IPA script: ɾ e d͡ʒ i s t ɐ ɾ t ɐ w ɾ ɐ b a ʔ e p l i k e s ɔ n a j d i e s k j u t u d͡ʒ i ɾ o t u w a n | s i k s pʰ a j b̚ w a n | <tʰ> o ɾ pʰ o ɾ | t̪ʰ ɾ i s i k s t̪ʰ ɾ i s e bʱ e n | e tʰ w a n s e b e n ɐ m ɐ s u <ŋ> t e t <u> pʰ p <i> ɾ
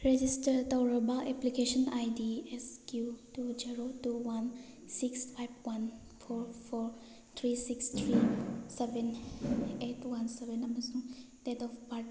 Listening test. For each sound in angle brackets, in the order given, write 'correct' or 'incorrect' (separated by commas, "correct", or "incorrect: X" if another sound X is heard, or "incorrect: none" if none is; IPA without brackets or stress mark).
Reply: incorrect: pʰ, correct, incorrect: ɔ, incorrect: a